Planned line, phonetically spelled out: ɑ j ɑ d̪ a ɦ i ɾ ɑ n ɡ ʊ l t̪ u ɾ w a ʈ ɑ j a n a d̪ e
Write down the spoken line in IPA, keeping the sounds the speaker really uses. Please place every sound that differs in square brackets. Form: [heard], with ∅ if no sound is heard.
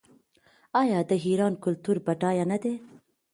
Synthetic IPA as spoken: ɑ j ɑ d̪ [ə] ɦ i ɾ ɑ n [k] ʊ l t̪ u ɾ [b] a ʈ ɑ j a n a d̪ e